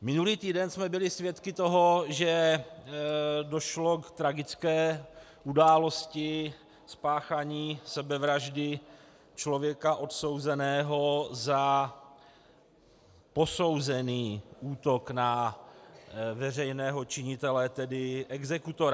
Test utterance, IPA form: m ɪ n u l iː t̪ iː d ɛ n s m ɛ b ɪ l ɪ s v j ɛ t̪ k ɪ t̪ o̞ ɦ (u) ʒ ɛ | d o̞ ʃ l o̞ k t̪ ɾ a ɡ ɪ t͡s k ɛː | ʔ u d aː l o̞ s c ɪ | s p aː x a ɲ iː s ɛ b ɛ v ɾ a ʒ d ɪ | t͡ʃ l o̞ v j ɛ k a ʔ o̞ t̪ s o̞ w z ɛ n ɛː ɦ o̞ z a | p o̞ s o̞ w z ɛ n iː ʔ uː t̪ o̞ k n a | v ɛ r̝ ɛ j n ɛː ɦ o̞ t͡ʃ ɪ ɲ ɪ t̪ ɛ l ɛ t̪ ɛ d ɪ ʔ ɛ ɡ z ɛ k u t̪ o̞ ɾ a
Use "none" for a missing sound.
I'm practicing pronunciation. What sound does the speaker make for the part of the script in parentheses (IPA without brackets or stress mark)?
o